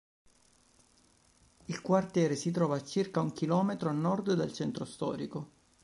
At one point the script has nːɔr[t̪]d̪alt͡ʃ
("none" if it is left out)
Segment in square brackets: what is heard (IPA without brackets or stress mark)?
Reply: d̪